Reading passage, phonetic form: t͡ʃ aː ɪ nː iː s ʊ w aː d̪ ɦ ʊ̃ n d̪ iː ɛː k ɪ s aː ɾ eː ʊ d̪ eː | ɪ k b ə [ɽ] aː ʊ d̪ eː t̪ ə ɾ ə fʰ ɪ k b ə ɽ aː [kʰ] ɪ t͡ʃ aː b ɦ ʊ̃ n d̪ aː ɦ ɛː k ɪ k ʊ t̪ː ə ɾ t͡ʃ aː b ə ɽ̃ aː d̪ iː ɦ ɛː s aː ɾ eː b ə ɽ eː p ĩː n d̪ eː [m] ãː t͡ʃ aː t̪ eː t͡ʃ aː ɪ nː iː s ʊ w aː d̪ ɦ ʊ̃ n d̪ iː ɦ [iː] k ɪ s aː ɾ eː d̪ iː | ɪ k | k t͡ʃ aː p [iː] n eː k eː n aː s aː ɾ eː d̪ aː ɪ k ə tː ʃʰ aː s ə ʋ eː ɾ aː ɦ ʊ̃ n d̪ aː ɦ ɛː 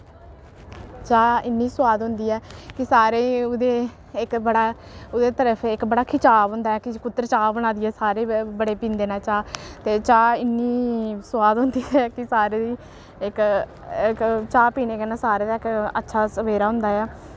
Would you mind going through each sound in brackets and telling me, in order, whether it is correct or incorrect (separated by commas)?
correct, correct, incorrect, incorrect, correct